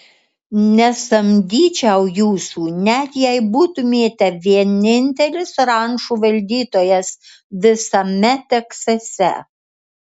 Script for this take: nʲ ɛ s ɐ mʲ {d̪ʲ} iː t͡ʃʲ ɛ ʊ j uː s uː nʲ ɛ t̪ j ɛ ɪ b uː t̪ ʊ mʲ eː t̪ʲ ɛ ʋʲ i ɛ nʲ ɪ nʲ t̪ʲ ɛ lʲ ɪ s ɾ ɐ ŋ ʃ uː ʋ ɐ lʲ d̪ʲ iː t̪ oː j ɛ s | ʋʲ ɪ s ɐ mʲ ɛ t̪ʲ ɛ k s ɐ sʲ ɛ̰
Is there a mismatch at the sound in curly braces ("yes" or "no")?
no